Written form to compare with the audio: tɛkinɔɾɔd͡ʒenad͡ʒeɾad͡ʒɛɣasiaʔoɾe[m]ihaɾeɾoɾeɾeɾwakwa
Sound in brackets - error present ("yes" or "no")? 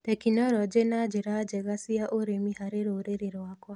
no